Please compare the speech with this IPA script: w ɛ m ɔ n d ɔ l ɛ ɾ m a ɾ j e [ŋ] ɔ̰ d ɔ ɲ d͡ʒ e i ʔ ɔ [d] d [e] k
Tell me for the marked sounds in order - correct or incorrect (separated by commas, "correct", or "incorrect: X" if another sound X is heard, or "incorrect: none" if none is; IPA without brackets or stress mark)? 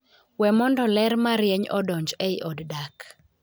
incorrect: ɲ, correct, incorrect: a